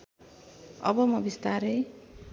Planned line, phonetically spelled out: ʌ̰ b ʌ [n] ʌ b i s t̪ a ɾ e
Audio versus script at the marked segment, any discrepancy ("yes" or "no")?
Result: yes